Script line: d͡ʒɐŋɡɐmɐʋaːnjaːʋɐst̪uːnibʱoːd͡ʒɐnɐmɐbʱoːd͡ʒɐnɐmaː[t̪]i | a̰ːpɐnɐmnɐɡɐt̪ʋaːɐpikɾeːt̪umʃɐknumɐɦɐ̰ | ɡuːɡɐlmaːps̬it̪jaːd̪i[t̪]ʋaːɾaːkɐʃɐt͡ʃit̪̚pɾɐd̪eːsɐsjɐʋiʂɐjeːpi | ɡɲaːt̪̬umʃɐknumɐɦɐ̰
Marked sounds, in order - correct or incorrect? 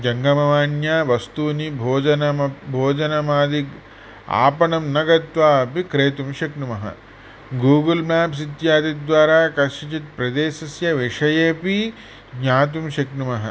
incorrect, incorrect

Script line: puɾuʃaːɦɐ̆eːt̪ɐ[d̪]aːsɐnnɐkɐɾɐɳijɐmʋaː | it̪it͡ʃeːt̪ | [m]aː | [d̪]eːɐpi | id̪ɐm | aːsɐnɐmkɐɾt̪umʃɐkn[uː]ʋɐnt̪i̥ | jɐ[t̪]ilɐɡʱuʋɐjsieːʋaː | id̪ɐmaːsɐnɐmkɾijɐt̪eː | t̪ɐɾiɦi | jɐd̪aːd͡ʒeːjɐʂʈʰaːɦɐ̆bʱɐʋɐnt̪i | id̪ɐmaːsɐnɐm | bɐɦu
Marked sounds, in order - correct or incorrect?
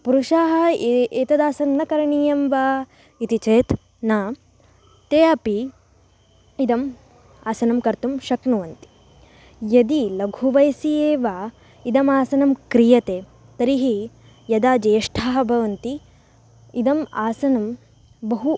correct, incorrect, incorrect, incorrect, incorrect

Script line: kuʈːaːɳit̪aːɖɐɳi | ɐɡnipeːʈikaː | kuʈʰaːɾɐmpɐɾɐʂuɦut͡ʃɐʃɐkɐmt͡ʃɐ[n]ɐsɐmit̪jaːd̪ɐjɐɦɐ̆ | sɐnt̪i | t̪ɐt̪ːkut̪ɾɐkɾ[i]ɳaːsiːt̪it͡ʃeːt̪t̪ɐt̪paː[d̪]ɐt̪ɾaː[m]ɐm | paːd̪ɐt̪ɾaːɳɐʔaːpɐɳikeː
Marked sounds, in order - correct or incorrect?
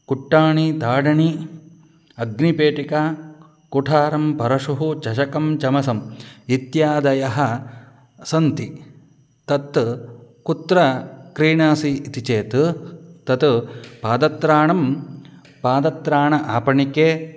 incorrect, incorrect, correct, incorrect

